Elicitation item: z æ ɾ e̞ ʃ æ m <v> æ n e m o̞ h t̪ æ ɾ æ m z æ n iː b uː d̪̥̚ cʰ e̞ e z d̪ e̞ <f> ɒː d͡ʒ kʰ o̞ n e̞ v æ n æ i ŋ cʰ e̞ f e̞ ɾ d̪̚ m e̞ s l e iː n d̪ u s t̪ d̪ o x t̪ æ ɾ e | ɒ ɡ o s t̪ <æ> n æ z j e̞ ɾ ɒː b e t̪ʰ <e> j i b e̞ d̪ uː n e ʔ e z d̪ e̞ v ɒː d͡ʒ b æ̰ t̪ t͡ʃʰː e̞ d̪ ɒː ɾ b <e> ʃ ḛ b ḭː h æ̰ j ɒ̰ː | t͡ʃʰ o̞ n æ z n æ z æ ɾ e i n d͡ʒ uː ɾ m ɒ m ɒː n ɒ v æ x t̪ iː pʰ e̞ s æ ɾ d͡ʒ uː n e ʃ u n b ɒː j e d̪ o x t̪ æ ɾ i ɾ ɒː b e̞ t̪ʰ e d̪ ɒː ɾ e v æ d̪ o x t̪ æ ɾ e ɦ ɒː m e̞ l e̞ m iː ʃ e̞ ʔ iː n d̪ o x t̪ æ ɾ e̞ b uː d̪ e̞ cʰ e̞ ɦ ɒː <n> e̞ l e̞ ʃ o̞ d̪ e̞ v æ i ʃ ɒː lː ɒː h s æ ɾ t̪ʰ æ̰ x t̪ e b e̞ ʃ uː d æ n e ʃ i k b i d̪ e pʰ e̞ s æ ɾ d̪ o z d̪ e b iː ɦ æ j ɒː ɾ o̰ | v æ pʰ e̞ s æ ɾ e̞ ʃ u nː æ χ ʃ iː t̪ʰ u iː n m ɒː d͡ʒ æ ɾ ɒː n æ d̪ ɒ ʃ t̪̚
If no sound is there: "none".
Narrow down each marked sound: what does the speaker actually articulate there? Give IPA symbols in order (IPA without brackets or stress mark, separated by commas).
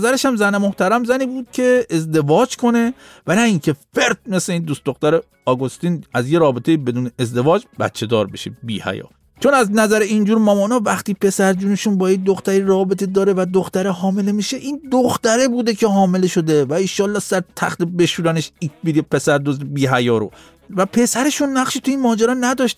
z, v, i, e, e, m